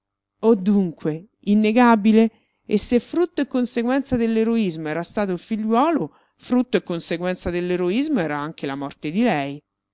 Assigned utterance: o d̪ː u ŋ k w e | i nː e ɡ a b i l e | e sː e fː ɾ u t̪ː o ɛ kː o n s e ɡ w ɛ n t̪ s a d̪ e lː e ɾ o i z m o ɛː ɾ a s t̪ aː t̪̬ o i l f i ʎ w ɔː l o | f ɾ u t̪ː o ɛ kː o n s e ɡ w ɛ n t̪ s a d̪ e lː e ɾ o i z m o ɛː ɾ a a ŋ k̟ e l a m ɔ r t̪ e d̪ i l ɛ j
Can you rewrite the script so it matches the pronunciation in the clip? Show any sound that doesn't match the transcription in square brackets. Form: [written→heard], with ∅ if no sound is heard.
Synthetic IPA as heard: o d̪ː u ŋ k w e | i nː e ɡ a b i l e | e sː e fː ɾ u t̪ː o [ɛ→e] kː o n s e ɡ w ɛ n t̪ s a d̪ e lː e ɾ o i z m o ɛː ɾ a s t̪ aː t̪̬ o i l f i ʎ w ɔː l o | f ɾ u t̪ː o [ɛ→e] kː o n s e ɡ w ɛ n t̪ s a d̪ e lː e ɾ o i z m o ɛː ɾ a a ŋ k̟ e l a m ɔ r t̪ e d̪ i l ɛ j